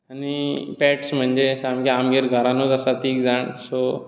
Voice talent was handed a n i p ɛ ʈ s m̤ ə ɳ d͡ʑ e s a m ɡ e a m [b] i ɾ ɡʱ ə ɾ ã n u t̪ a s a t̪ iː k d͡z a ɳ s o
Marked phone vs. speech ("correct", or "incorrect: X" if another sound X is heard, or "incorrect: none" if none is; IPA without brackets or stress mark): incorrect: ɡ